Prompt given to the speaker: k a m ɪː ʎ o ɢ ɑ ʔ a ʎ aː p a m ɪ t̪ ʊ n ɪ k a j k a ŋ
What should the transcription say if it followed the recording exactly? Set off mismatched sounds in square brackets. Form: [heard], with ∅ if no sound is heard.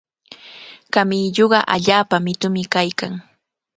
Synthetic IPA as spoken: k a m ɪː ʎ o ɢ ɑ ʔ a ʎ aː p a m ɪ t̪ ʊ [m] ɪ k a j k a ŋ